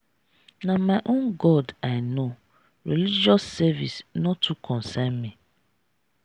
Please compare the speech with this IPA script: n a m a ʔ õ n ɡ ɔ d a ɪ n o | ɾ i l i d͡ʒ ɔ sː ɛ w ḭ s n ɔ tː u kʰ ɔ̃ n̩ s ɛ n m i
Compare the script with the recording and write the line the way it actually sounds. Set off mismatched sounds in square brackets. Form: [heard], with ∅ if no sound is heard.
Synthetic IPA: n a m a ʔ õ n ɡ ɔ d a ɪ n o | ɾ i l i d͡ʒ ɔ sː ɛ [v] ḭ s n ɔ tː u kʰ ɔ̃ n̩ s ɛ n m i